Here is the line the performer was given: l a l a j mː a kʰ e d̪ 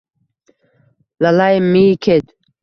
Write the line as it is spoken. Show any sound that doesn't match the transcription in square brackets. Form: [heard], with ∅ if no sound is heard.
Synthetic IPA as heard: l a l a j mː [i] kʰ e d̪